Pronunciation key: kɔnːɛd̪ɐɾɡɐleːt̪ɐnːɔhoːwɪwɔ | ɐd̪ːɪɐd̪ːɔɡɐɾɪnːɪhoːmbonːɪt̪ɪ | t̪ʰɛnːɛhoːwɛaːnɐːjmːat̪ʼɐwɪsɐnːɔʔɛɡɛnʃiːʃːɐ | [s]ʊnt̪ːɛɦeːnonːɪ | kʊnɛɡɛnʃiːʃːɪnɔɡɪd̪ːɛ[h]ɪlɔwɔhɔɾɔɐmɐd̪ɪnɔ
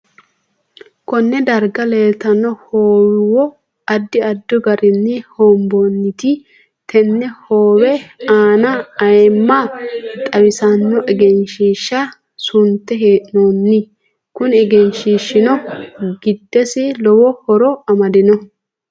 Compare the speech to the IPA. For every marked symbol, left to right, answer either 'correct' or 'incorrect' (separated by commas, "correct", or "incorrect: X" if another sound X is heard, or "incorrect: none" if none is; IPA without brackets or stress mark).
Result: correct, incorrect: s